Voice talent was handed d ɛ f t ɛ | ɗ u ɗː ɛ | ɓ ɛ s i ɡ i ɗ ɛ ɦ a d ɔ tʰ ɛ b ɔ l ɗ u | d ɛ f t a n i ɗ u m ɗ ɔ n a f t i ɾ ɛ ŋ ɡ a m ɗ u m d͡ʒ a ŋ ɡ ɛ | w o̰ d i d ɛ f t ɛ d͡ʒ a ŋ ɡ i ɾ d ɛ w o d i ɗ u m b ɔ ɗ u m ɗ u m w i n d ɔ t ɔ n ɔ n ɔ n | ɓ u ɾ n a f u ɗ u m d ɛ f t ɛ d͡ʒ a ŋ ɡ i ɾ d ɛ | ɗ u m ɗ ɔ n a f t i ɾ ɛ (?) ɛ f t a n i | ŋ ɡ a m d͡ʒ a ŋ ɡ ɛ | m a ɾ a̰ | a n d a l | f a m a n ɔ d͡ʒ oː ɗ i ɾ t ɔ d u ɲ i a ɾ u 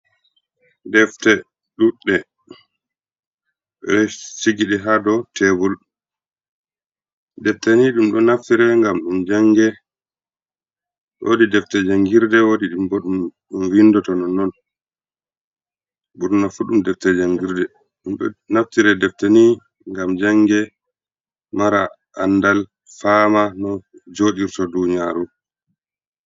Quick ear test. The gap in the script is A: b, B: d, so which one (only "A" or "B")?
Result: B